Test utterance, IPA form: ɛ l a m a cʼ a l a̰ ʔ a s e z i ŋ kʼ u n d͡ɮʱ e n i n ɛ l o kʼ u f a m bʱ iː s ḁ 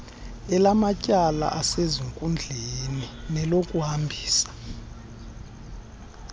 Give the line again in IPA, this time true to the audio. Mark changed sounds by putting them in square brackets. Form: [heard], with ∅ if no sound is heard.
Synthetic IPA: ɛ l a m a cʼ a l a̰ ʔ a s e z i ŋ kʼ u n d͡ɮʱ e n i n ɛ l o kʼ u [h] a m bʱ iː s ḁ